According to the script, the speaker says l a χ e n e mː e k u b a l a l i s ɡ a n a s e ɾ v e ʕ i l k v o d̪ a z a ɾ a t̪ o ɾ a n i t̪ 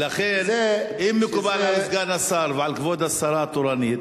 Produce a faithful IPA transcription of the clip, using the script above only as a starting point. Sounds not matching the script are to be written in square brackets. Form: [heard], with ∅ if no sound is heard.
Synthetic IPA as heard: l a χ e n [i] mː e k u b a l a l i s ɡ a n a s [a] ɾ v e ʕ [a] l k v o d̪ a [s] a ɾ a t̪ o ɾ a n i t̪

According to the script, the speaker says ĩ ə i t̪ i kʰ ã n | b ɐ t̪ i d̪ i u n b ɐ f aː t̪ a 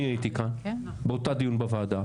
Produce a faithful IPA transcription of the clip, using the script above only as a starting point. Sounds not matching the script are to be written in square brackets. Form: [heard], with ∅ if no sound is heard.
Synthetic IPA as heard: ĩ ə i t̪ i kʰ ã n | b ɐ t̪ [a] d̪ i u n b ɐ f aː [d̪] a

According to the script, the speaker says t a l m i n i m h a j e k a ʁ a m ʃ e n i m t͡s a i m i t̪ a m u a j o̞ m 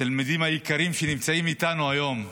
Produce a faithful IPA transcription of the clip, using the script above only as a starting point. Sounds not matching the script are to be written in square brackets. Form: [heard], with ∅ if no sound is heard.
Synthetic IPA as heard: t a l m i [d] i m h a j [i] k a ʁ [i] m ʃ e n i m t͡s a i m i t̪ a [n] u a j o̞ m

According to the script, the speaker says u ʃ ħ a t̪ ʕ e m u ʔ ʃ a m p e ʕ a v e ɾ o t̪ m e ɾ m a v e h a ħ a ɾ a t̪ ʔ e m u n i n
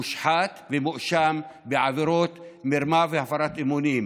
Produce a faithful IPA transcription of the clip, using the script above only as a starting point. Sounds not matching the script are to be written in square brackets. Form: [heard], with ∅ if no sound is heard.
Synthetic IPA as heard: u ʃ ħ a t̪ [v] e m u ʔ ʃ a m [b] e ʕ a v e ɾ o t̪ m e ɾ m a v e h a [f] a ɾ a t̪ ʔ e m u n i [m]

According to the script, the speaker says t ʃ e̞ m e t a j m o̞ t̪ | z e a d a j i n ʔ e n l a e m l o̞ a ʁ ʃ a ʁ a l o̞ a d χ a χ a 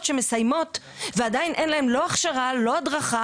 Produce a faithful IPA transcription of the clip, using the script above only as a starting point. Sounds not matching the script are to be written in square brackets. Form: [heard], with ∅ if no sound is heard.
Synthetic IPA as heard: t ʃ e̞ m e [s] a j m o̞ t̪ | [v] e a d a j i n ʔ e n l a e m l o̞ a [χ] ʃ a ʁ a l o̞ a d [ʁ] a χ a

